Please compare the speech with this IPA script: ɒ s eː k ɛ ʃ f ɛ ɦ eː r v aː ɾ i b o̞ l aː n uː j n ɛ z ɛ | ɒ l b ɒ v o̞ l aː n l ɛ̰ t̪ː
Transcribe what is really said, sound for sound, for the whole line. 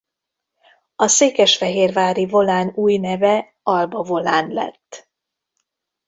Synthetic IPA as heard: ɒ s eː k ɛ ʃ f ɛ ɦ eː r v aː ɾ i v o̞ l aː n uː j n ɛ v ɛ | ɒ l b ɒ v o̞ l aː n l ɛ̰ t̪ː